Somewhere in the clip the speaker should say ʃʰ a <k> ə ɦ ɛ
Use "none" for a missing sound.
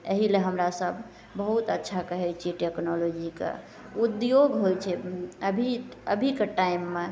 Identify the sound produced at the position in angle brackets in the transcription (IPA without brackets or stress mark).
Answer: k